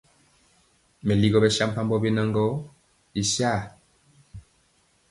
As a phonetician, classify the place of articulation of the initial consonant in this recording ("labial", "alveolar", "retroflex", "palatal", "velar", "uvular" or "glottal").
labial